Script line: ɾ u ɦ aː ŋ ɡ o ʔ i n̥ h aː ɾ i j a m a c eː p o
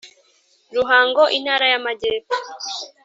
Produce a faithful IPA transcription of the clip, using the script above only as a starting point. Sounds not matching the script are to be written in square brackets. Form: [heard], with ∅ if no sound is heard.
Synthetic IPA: ɾ u ɦ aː ŋ ɡ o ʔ i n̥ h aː ɾ [a] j a m a [ɟ] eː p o